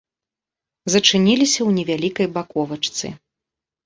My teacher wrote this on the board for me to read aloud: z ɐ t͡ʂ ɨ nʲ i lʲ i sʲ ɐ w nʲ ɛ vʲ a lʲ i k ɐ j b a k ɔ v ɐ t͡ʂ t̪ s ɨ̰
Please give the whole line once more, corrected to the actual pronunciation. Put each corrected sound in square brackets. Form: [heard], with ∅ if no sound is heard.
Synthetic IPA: z ɐ t͡ʂ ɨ nʲ i lʲ i sʲ ɐ w nʲ ɛ vʲ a lʲ i k ɐ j b a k ɔ v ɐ t͡ʂ t̪ s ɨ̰